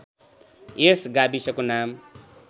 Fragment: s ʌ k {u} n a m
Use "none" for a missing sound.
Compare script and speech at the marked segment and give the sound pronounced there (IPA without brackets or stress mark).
o